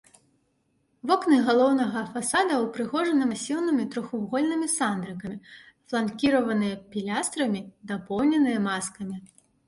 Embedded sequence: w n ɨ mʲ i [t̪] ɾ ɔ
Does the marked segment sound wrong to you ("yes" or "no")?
no